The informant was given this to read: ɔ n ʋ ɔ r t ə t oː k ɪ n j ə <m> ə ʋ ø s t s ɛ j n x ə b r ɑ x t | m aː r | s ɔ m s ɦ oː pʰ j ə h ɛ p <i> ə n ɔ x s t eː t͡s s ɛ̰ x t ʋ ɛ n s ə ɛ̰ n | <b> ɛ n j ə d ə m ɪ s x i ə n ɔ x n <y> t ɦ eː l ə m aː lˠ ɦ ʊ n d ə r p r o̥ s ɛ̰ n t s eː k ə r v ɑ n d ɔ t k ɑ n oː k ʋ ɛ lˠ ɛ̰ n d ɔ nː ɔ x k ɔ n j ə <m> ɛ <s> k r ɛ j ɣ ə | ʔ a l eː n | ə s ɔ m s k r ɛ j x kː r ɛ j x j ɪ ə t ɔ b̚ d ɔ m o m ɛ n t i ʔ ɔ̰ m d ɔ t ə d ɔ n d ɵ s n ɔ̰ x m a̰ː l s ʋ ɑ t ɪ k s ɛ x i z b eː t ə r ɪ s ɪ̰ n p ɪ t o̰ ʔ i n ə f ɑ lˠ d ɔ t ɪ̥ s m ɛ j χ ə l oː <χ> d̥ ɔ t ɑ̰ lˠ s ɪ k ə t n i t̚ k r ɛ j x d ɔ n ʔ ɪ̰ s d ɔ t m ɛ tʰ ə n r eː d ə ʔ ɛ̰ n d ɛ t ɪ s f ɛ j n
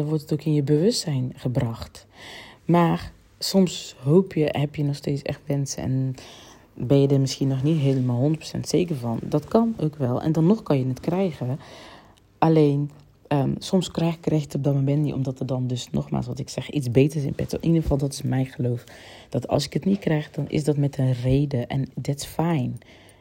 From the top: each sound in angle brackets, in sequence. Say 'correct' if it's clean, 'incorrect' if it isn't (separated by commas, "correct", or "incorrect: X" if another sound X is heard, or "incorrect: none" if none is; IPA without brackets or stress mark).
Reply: incorrect: b, incorrect: j, correct, incorrect: i, incorrect: n, incorrect: t, incorrect: f